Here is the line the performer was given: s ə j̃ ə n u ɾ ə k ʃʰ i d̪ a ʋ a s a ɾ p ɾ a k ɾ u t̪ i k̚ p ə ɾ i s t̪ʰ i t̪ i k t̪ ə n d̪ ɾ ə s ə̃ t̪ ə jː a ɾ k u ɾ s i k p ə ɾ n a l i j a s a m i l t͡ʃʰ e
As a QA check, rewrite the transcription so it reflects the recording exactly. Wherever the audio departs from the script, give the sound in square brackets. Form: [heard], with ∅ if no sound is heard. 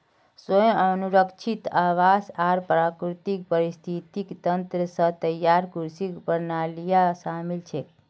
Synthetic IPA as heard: s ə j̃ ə n u ɾ ə k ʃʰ i [t̪] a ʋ a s a ɾ p ɾ a k ɾ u t̪ i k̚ p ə ɾ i s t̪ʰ i t̪ i k t̪ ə n [t̪] ɾ ə s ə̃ t̪ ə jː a ɾ k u ɾ s i k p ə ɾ n a l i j a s a m i l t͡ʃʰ e